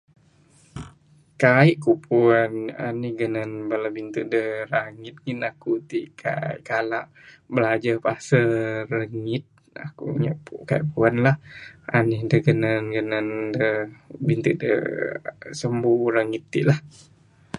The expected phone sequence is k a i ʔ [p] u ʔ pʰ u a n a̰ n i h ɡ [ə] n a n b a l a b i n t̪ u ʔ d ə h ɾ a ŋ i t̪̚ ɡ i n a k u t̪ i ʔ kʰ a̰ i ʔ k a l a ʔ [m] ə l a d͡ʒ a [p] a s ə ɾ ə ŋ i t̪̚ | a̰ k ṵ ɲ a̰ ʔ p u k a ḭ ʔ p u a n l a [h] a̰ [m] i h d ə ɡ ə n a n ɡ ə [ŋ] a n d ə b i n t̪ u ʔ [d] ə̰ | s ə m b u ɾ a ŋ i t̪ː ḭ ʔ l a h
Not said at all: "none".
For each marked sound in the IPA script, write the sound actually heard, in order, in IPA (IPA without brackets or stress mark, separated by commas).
k, ə, b, p, h, n, n, d